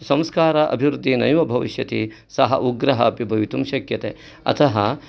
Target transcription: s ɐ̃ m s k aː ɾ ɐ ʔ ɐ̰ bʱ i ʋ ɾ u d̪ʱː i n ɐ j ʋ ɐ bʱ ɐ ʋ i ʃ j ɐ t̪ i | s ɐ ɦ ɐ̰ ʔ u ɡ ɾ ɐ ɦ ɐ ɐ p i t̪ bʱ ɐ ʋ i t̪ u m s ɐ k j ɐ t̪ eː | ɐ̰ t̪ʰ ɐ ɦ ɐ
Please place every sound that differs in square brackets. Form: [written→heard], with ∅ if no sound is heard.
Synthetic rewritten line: s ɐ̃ m s k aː ɾ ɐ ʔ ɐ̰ bʱ i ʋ ɾ u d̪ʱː i n ɐ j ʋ ɐ bʱ ɐ ʋ i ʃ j ɐ t̪ i | s ɐ ɦ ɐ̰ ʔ u ɡ ɾ ɐ ɦ ɐ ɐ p i [t̪→∅] bʱ ɐ ʋ i t̪ u m [s→ʃ] ɐ k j ɐ t̪ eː | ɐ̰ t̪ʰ ɐ ɦ ɐ